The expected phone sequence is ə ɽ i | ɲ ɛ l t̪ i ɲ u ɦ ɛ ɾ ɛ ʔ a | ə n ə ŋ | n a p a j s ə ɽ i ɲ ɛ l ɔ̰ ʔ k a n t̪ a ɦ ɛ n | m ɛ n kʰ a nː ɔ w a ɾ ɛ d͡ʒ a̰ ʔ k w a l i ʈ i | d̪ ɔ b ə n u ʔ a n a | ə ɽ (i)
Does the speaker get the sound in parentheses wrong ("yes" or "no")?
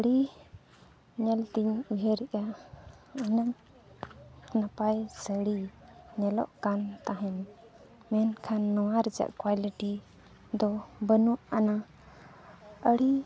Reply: no